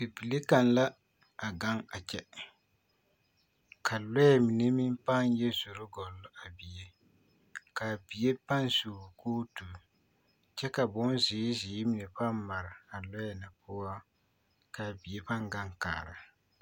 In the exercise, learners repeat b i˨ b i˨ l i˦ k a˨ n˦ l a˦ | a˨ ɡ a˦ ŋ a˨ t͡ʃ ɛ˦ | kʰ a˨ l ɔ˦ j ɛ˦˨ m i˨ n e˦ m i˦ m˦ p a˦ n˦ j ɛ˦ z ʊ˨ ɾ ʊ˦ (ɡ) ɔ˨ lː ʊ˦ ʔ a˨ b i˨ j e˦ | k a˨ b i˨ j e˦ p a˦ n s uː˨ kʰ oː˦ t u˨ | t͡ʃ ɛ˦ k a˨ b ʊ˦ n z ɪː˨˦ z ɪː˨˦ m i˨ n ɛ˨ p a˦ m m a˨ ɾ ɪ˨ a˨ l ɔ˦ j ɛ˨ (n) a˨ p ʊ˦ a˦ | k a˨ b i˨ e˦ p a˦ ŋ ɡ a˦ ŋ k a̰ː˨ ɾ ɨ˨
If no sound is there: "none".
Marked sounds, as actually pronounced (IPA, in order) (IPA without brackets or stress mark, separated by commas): ɡ, n